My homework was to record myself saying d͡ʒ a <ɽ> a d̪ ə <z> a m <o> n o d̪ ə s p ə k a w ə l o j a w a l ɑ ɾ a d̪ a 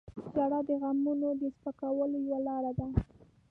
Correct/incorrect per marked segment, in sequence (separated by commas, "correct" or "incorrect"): correct, incorrect, incorrect